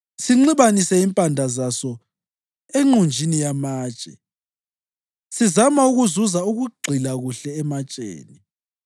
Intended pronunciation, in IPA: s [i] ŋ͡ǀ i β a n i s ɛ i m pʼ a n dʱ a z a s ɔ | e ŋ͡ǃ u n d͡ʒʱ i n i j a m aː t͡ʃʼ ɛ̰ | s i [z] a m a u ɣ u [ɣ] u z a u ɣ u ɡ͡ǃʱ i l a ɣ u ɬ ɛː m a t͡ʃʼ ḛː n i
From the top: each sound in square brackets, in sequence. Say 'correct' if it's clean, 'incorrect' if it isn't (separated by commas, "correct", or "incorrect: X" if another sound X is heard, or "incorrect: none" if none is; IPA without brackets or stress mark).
correct, correct, incorrect: z